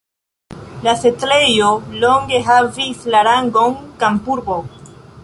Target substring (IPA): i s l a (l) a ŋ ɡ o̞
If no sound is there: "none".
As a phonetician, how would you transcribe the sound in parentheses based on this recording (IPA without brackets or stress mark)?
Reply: ɾ